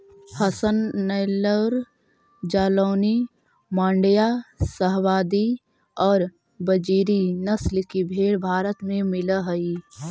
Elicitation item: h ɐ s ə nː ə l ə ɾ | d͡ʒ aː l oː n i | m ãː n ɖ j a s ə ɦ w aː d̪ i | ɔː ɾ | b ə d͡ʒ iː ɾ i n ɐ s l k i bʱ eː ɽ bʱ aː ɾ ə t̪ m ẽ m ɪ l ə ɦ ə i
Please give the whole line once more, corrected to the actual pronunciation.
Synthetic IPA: h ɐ s ə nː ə l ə ɾ | d͡ʒ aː l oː n i | m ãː ɳ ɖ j a s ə ɦ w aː d̪ i | ɔː ɾ | b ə d͡ʒ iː ɾ i n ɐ s l k i bʱ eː ɽ bʱ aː ɾ ə t̪ m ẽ m ɪ l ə ɦ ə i

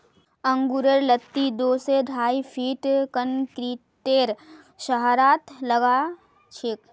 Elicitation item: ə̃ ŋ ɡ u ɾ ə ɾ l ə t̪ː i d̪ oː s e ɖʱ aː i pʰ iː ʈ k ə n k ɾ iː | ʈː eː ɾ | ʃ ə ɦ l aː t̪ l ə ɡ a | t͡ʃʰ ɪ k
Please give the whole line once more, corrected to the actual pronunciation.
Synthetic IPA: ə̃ ŋ ɡ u ɾ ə ɾ l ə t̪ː i d̪ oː s e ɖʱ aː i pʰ iː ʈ k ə n k ɾ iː | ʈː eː ɾ | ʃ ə ɦ ɾ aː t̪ l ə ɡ a | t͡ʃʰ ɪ k

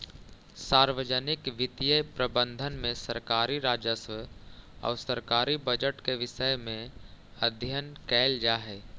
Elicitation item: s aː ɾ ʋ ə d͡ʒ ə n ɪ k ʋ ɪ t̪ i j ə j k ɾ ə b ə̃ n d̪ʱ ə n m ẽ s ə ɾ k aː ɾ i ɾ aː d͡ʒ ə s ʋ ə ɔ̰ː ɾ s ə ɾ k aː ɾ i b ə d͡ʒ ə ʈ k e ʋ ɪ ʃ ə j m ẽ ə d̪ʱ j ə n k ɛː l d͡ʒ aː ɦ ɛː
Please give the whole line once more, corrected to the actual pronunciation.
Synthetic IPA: s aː ɾ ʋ ə d͡ʒ ə n ɪ k ʋ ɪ t̪ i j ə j p ɾ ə b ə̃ n d̪ʱ ə n m ẽ s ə ɾ k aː ɾ i ɾ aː d͡ʒ ə s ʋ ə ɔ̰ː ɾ s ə ɾ k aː ɾ i b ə d͡ʒ ə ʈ k e ʋ ɪ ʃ ə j m ẽ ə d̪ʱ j ə n k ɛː l d͡ʒ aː ɦ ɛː

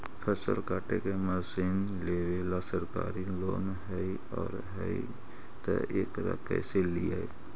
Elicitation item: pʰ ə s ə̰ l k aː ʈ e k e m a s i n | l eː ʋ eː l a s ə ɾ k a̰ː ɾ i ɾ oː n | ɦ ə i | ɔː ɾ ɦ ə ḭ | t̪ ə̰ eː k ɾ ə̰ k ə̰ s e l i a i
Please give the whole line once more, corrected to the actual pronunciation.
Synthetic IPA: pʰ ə s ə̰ l k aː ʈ e k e m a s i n | l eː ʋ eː l a s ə ɾ k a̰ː ɾ i l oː n | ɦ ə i | ɔː ɾ ɦ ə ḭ | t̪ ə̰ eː k ɾ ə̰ k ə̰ s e l i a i

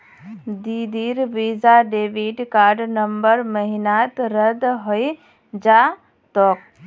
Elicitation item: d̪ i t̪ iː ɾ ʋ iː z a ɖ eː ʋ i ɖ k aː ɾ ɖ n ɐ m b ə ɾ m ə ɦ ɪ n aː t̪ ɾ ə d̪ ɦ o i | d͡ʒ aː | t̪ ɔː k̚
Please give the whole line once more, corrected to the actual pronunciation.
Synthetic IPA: d̪ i d̪ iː ɾ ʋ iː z a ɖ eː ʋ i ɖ k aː ɾ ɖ n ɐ m b ə ɾ m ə ɦ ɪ n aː t̪ ɾ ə d̪ ɦ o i | d͡ʒ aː | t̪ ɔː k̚

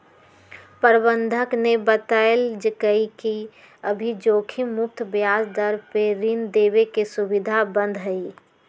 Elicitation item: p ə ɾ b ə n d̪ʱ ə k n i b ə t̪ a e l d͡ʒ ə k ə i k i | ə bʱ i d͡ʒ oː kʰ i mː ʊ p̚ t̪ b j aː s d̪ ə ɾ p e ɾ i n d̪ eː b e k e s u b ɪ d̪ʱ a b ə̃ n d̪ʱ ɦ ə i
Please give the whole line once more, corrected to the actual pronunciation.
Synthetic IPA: p ə ɾ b ə n d̪ʱ ə k n e b ə t̪ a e l d͡ʒ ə k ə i k i | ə bʱ i d͡ʒ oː kʰ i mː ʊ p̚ t̪ b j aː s d̪ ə ɾ p e ɾ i n d̪ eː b e k e s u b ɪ d̪ʱ a b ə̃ n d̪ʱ ɦ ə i

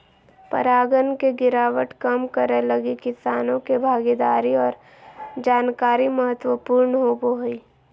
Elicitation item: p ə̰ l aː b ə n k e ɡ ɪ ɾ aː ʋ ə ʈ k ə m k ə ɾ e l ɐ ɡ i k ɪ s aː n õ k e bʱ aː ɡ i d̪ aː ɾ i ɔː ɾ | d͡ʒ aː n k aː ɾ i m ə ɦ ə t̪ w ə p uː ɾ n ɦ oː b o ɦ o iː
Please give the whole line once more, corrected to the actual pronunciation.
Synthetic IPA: p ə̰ ɾ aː ɡ ə n k e ɡ ɪ ɾ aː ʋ ə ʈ k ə m k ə ɾ e l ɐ ɡ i k ɪ s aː n õ k e bʱ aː ɡ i d̪ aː ɾ i ɔː ɾ | d͡ʒ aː n k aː ɾ i m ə ɦ ə t̪ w ə p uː ɾ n ɦ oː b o ɦ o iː

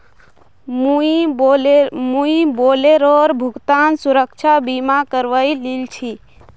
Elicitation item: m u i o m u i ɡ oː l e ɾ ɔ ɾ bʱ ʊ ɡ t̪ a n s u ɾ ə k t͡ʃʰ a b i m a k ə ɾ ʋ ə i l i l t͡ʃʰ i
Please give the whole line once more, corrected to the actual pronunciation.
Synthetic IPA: m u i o m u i b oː l e ɾ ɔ ɾ bʱ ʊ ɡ t̪ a n s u ɾ ə k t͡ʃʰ a b i m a k ə ɾ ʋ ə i l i l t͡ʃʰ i

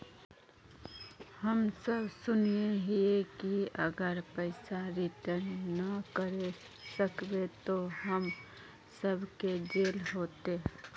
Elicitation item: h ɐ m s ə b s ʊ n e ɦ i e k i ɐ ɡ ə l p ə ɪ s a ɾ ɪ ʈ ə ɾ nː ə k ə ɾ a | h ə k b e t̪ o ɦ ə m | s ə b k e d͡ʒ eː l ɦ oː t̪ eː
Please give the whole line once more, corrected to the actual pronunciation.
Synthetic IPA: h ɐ m s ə b s ʊ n e ɦ i e k i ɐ ɡ ə ɾ p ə ɪ s a ɾ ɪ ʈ ə ɾ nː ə k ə ɾ e | s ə k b e t̪ o ɦ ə m | s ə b k e d͡ʒ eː l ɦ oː t̪ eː

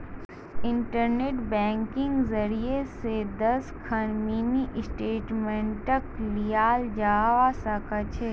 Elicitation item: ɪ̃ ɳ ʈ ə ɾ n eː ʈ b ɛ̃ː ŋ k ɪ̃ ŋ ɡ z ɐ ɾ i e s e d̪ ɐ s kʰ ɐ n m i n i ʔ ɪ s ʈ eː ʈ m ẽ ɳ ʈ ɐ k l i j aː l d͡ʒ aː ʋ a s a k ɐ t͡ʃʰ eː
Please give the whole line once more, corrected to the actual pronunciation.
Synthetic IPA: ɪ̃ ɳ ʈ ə ɾ n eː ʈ b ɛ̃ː ŋ k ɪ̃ ŋ ɡ z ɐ ɾ i e s e d̪ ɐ s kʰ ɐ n m i n i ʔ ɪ s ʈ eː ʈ m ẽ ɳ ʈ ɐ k l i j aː l d͡ʒ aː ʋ a s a k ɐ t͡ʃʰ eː

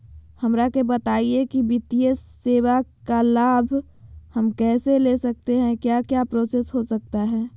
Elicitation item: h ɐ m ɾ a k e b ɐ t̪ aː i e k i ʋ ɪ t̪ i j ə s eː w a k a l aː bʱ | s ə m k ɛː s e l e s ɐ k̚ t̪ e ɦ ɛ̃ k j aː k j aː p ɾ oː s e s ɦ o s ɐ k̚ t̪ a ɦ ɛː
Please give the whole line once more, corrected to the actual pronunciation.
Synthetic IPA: h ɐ m ɾ a k e b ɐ t̪ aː i e k i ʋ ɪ t̪ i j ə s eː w a k a l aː bʱ | h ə m k ɛː s e l e s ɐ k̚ t̪ e ɦ ɛ̃ k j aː k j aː p ɾ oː s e s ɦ o s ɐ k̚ t̪ a ɦ ɛː

